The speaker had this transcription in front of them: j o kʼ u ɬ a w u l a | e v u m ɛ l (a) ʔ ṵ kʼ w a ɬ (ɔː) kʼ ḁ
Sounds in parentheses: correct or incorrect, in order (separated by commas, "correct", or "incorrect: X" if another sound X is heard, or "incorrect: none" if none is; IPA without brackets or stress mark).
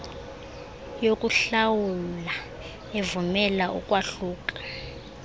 correct, incorrect: uː